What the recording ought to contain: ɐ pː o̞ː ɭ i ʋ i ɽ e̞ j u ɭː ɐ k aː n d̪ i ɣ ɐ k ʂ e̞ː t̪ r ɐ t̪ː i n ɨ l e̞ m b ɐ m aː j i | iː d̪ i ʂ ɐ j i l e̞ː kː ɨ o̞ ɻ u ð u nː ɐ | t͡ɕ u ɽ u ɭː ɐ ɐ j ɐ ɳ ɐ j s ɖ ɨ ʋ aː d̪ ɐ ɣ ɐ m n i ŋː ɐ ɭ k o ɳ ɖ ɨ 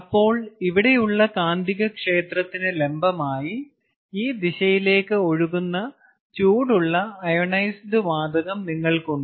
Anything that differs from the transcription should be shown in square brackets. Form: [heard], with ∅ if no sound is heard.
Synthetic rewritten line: ɐ pː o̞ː ɭ i ʋ i ɽ e̞ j u ɭː ɐ k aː n d̪ i ɣ ɐ k ʂ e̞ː t̪ r ɐ t̪ː i n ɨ l e̞ m b ɐ m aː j i | iː d̪ i [ɕ] ɐ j i l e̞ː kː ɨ o̞ ɻ u [ɣ] u nː ɐ | t͡ɕ [uː] ɽ u ɭː ɐ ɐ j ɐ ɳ ɐ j s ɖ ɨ ʋ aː d̪ ɐ ɣ ɐ m n i ŋː ɐ ɭ k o ɳ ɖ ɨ